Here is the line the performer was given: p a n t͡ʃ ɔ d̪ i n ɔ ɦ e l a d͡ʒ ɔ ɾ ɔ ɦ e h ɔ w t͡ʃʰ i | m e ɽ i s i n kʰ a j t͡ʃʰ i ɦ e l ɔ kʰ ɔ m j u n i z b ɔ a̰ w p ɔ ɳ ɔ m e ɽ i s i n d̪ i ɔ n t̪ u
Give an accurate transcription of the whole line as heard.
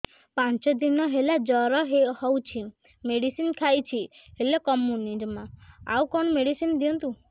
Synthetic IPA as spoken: p a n t͡ʃ ɔ d̪ i n ɔ ɦ e l a d͡ʒ ɔ ɾ ɔ ɦ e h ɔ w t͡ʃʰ i | m e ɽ i s i n kʰ a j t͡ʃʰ i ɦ e l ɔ k ɔ m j u n i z m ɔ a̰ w k ɔ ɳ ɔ m e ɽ i s i n d̪ i ɔ n t̪ u